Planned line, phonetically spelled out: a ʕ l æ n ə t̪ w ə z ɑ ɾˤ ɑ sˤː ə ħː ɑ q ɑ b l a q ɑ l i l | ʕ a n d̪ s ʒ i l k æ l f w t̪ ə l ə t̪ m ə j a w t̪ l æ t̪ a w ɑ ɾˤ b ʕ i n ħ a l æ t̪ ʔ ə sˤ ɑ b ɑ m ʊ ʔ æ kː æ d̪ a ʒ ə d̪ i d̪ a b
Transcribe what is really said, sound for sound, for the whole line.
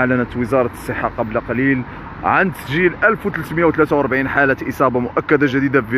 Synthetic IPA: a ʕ l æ n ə t̪ w ə z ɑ ɾˤ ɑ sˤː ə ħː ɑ q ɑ b l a q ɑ l i l | ʕ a n d̪ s ʒ i l ʔ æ l f w t̪ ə l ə t̪ m ə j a w t̪ l æ t̪ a w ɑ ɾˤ b ʕ i n ħ a l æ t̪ ʔ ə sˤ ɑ b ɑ m ʊ ʔ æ kː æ d̪ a ʒ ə d̪ i d̪ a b